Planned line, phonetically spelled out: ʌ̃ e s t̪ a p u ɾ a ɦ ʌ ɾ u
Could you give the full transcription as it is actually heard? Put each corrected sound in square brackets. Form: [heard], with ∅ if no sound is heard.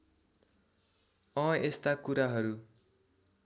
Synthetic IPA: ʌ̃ e s t̪ a [k] u ɾ a ɦ ʌ ɾ u